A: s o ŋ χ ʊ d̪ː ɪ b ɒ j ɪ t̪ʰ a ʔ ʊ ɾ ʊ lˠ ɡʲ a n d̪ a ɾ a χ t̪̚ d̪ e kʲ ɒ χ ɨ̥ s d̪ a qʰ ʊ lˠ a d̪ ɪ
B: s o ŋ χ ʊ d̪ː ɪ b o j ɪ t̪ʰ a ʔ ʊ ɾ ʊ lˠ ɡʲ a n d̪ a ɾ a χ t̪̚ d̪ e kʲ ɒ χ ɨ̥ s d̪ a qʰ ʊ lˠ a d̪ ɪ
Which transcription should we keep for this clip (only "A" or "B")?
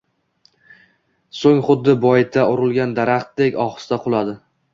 A